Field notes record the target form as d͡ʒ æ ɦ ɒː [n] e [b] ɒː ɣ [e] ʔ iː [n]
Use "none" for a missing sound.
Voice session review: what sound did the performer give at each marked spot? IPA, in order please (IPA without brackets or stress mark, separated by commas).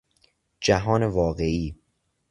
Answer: n, v, e, none